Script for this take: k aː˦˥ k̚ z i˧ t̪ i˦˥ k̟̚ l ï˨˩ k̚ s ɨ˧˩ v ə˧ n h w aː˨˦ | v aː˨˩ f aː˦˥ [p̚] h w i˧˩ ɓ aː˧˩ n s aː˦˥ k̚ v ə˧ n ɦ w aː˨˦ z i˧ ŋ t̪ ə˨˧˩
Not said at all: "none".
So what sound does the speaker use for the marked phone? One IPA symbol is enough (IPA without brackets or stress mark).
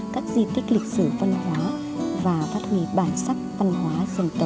t̚